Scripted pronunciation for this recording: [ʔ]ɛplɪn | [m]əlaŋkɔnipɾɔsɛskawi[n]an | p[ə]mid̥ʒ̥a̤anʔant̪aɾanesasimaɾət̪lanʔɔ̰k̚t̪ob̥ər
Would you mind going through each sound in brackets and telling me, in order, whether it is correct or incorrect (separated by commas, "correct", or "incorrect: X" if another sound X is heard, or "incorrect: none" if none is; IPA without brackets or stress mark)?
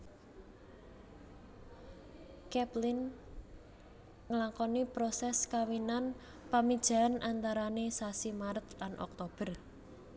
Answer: incorrect: k, incorrect: ŋ, correct, incorrect: a